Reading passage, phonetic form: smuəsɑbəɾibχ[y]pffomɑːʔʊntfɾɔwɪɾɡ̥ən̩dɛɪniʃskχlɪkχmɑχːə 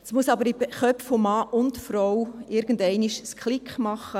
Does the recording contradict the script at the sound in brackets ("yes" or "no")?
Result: yes